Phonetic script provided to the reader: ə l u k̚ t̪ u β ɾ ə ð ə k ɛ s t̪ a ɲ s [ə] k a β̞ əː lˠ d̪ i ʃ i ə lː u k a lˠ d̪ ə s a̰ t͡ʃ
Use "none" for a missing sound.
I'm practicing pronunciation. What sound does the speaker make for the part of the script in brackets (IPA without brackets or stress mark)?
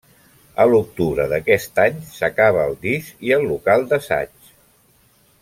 ə